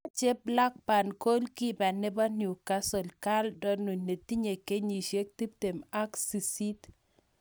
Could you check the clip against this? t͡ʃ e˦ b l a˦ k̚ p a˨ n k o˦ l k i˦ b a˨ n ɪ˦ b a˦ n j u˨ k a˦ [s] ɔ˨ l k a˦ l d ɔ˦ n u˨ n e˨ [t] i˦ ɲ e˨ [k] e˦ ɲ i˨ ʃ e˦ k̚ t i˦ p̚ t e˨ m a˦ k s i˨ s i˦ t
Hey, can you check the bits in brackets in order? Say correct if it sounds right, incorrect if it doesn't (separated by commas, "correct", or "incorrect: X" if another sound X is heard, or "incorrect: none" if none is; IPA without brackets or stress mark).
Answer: correct, correct, correct